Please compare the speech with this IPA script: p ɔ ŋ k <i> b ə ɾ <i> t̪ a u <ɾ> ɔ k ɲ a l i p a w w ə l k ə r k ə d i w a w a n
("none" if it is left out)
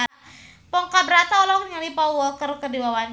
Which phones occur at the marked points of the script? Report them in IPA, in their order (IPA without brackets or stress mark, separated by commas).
a, a, l